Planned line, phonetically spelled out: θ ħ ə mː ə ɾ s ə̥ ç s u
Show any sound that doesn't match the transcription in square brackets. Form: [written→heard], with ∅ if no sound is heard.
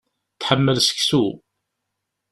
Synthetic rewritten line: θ ħ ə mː ə [ɾ→l] s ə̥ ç s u